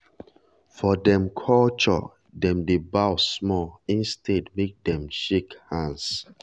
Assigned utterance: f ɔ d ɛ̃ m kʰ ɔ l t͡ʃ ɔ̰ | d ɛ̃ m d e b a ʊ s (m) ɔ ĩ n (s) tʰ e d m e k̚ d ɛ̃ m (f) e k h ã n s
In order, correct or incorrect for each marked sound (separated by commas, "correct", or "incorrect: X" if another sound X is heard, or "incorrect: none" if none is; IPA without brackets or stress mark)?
correct, correct, incorrect: ʃ